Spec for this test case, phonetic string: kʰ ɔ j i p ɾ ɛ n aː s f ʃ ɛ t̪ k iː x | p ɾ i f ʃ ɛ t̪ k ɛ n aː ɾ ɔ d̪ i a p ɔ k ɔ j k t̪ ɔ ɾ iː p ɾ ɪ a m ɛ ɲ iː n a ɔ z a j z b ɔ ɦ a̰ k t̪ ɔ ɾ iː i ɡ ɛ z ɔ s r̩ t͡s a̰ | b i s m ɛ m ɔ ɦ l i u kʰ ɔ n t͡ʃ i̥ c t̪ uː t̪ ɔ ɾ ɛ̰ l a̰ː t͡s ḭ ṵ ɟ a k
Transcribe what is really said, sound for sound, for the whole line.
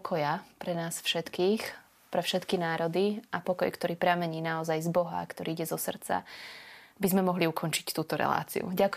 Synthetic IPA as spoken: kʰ ɔ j a p ɾ ɛ n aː s f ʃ ɛ t̪ k iː x | p ɾ ɛ f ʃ ɛ t̪ k i n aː ɾ ɔ d̪ i a p ɔ k ɔ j k t̪ ɔ ɾ iː p ɾ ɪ a m ɛ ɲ iː n a ɔ z a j z b ɔ ɦ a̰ k t̪ ɔ ɾ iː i ɟ ɛ z ɔ s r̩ t͡s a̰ | b i z m ɛ m ɔ ɦ l i u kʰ ɔ n t͡ʃ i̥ c t̪ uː t̪ ɔ ɾ ɛ̰ l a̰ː t͡s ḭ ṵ ɟ a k